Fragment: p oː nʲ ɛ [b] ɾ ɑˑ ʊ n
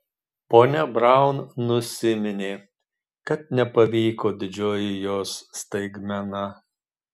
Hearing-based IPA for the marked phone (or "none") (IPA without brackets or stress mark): b